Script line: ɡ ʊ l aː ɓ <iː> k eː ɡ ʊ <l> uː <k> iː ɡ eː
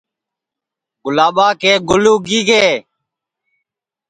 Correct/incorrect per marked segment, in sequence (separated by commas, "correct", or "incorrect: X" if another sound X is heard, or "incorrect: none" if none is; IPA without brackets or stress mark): incorrect: aː, correct, incorrect: ɡ